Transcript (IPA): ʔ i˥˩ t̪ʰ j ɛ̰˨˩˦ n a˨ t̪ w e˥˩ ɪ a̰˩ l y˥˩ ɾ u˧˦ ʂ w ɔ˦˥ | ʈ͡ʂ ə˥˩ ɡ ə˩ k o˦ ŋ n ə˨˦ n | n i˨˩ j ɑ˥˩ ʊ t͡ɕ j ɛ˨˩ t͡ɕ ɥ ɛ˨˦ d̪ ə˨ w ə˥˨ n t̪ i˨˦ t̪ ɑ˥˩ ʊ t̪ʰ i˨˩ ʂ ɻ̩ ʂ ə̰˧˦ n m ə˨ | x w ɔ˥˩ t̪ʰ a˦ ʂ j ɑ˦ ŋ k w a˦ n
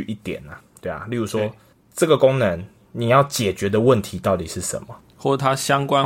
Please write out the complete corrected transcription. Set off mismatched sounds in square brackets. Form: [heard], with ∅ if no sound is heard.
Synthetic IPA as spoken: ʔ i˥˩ [t̪] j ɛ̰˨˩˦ n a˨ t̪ w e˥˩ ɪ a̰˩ l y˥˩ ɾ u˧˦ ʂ w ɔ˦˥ | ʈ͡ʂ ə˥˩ ɡ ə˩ k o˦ ŋ n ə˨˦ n | n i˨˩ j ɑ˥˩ ʊ t͡ɕ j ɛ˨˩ t͡ɕ ɥ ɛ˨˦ d̪ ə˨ w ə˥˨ n [t̪ʰ] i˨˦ t̪ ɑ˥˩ ʊ [t̪] i˨˩ ʂ ɻ̩ ʂ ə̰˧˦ n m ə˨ | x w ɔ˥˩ t̪ʰ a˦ [ɕ] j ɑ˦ ŋ k w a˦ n